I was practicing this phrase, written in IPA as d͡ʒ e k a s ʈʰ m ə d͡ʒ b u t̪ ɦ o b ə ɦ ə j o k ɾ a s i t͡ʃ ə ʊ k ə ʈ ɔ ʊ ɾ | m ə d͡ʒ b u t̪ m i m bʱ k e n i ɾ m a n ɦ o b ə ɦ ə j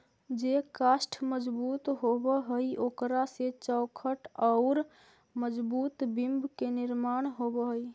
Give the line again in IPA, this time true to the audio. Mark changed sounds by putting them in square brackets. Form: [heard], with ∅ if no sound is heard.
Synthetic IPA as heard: d͡ʒ e k a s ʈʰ m ə d͡ʒ b u t̪ ɦ o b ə ɦ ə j o k ɾ a s [e] t͡ʃ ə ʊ [kʰ] ə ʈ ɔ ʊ ɾ | m ə d͡ʒ b u t̪ [b] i m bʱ k e n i ɾ m a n ɦ o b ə ɦ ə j